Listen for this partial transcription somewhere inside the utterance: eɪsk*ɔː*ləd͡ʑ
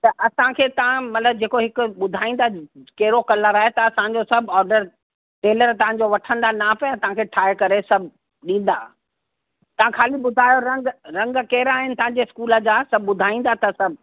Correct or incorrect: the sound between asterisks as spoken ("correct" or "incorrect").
incorrect